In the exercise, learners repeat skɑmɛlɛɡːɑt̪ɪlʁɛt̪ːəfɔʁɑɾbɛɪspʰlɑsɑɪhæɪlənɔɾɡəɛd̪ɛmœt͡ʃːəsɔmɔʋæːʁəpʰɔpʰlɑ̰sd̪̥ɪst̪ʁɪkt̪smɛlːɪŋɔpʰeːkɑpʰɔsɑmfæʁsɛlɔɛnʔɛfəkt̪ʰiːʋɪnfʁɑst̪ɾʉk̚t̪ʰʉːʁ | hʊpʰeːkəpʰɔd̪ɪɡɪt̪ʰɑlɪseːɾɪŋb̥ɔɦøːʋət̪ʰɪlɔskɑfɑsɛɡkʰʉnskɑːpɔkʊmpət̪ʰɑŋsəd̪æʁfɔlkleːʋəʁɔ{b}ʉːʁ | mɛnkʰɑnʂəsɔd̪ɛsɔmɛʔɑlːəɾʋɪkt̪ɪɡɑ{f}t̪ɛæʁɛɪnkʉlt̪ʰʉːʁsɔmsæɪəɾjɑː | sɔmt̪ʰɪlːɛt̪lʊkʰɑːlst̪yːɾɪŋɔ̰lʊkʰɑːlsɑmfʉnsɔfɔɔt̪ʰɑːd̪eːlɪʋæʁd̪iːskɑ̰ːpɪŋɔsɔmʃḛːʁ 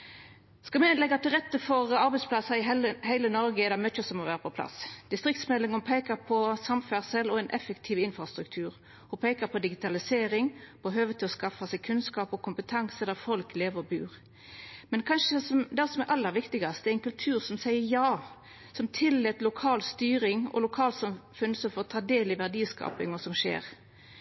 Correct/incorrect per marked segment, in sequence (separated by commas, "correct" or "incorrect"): correct, incorrect